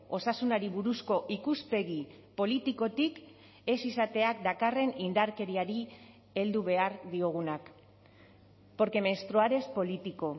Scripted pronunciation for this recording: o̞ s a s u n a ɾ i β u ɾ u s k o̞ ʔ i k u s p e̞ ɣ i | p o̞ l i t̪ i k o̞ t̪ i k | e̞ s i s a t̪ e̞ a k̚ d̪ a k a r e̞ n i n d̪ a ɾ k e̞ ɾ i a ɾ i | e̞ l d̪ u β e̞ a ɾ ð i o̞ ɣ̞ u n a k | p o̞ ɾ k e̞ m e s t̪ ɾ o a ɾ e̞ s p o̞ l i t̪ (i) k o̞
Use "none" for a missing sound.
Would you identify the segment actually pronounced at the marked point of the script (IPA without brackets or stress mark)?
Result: i